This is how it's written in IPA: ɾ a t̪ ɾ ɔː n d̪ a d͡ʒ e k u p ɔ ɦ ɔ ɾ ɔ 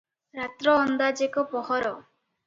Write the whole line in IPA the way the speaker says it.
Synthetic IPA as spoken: ɾ a t̪ ɾ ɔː n d̪ a d͡ʒ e k ɔ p ɔ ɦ ɔ ɾ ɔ